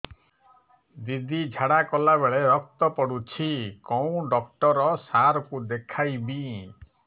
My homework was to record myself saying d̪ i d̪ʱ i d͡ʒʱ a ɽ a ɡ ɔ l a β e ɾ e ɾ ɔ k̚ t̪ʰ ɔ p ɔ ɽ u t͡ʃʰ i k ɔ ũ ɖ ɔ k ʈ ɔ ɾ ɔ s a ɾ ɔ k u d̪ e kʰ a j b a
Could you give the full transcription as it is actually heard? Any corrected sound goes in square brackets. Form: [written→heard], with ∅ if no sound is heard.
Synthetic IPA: d̪ i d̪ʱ i d͡ʒʱ a ɽ a [ɡ→k] ɔ l a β e [ɾ→ɭ] e ɾ ɔ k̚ [t̪ʰ→t̪] ɔ p ɔ ɽ u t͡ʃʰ i k ɔ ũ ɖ ɔ k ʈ ɔ ɾ ɔ s a ɾ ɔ k u d̪ e kʰ a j b [a→i]